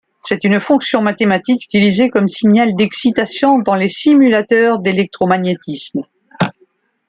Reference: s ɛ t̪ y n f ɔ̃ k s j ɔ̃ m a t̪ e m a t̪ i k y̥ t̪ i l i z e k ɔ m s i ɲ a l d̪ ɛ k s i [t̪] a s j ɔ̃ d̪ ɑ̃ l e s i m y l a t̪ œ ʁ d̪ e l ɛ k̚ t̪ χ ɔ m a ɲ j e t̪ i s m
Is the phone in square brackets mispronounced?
no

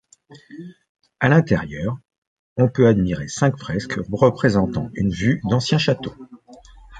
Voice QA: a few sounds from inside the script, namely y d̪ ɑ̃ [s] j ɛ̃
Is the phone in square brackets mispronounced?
no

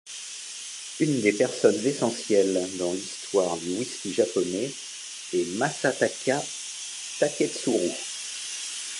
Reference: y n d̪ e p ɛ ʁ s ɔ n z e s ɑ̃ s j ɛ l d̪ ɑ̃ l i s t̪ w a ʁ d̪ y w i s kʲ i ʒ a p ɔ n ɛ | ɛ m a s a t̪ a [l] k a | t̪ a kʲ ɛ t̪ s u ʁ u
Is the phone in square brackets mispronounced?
yes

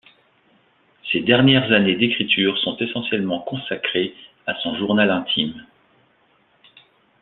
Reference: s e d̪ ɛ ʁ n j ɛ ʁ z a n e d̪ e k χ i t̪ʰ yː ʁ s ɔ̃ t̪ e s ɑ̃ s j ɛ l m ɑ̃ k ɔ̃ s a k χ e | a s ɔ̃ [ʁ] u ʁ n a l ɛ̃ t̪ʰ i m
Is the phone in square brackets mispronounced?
yes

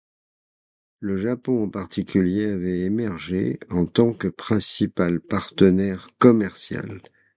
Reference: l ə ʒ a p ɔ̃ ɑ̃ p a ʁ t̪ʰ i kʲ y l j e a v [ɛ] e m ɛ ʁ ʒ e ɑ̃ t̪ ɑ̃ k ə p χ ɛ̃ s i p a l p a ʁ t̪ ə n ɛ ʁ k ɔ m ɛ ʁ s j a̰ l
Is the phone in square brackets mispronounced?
no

